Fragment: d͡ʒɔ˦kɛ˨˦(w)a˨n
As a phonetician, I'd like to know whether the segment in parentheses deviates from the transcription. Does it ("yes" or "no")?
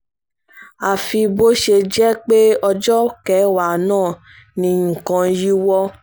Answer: no